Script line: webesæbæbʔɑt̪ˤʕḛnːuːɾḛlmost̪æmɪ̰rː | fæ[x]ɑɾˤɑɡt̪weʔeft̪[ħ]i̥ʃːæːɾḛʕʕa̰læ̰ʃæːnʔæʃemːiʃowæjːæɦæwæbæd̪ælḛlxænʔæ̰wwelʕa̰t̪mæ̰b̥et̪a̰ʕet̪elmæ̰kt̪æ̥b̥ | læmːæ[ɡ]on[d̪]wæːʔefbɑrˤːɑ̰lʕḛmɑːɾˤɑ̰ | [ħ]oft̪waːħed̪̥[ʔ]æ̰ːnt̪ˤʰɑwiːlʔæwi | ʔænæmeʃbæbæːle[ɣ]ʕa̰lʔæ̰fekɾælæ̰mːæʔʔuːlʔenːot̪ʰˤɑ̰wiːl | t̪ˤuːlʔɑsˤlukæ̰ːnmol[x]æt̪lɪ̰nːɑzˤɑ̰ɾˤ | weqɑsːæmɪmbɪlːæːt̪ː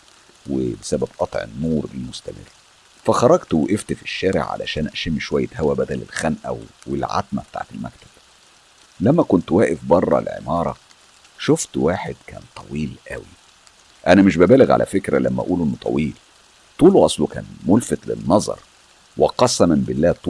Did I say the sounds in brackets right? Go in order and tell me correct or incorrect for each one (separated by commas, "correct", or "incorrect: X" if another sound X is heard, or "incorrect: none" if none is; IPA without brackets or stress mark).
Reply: correct, incorrect: f, incorrect: k, incorrect: t̪, incorrect: ʃ, incorrect: k, correct, incorrect: f